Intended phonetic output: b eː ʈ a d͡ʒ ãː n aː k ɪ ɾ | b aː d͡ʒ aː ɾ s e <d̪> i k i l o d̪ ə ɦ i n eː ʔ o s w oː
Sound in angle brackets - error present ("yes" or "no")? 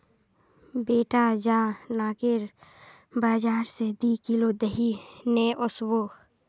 no